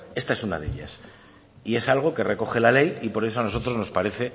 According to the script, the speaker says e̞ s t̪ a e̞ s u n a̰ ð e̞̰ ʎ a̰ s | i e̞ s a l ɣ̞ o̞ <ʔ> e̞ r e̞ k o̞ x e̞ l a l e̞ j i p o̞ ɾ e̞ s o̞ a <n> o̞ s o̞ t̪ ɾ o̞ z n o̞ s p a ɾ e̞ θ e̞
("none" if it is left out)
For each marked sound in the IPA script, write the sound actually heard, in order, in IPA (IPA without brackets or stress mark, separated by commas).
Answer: k, n